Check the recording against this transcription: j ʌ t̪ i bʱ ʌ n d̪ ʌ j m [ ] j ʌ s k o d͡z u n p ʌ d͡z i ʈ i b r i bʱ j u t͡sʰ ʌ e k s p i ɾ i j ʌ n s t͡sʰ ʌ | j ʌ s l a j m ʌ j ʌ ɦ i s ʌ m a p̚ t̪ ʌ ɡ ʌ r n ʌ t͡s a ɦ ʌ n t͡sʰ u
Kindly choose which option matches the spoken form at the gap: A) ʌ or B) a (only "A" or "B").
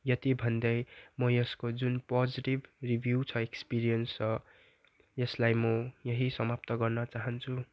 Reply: A